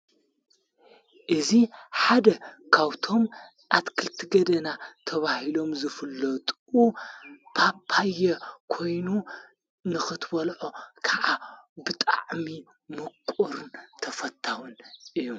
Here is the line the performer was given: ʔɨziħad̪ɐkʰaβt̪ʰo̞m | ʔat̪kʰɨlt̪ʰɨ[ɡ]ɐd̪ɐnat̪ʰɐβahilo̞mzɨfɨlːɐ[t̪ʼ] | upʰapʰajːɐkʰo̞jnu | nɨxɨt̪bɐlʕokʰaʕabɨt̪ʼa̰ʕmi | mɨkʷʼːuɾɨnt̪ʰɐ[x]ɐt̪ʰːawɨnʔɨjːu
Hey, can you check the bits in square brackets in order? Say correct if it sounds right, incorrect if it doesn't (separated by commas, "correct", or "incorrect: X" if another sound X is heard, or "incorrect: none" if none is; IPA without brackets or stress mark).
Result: correct, correct, incorrect: f